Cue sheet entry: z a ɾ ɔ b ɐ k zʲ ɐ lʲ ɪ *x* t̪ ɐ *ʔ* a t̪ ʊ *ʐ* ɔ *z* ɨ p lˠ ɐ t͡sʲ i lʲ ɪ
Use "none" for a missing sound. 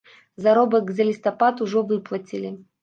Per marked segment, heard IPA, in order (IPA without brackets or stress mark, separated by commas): s, p, ʐ, v